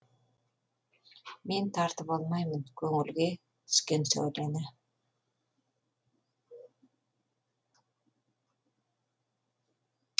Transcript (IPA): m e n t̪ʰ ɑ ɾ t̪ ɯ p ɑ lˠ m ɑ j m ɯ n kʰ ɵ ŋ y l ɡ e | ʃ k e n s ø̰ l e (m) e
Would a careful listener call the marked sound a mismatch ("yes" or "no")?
yes